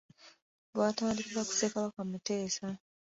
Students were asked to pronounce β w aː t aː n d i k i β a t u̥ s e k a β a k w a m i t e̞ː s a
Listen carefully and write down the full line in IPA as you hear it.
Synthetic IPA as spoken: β w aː t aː n d i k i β a k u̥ s e k a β a k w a m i t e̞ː s a